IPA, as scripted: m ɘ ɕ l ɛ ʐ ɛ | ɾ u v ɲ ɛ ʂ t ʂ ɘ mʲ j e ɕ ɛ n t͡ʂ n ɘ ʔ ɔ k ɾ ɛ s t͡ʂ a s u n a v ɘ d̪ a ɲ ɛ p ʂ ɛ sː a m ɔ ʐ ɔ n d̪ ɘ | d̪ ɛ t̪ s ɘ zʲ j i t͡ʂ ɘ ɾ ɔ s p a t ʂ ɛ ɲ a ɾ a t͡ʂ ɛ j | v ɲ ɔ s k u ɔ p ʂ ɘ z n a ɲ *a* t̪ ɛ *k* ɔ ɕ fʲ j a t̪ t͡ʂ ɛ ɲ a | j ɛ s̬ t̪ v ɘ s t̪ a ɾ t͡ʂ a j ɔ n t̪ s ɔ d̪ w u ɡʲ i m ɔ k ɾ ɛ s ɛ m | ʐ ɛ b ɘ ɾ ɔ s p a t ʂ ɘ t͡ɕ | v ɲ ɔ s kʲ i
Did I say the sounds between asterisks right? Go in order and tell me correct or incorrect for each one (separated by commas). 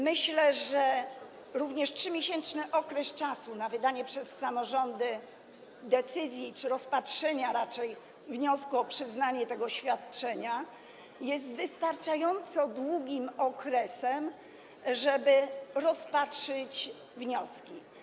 incorrect, incorrect